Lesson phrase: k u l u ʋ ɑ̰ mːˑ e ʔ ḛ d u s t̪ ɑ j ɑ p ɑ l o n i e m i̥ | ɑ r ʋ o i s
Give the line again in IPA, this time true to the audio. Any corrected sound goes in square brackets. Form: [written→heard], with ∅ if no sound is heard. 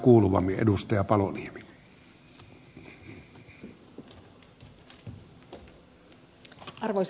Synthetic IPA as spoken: k [u→uː] l u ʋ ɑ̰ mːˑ [e→i] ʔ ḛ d u s t̪ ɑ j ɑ p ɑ l o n i e m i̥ | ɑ r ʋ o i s